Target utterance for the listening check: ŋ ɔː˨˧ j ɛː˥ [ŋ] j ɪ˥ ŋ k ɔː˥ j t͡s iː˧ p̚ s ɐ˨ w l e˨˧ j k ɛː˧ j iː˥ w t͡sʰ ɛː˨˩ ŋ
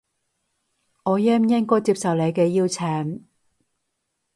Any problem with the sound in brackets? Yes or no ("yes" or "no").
yes